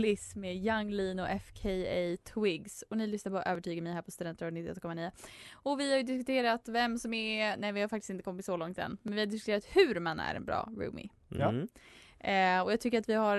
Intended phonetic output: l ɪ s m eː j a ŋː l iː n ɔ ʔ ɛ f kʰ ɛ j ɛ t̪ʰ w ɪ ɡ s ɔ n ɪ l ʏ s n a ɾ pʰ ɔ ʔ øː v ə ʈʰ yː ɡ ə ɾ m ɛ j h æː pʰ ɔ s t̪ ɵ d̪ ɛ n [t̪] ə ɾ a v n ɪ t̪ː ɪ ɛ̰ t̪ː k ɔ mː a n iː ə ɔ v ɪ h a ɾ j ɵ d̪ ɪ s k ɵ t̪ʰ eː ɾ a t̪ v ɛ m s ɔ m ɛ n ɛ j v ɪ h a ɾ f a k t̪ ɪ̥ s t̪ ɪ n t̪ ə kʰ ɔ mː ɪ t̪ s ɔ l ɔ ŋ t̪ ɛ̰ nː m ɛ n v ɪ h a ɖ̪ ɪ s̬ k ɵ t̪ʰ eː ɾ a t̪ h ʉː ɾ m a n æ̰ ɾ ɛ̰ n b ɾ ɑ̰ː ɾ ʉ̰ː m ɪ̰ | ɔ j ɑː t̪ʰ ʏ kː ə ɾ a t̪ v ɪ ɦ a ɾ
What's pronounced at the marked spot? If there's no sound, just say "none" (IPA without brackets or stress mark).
t̪